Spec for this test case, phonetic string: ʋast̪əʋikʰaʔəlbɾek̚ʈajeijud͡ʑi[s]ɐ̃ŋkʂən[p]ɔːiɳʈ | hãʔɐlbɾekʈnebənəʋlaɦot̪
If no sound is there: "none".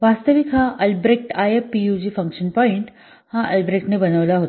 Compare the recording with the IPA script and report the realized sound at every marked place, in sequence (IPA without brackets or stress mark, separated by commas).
f, p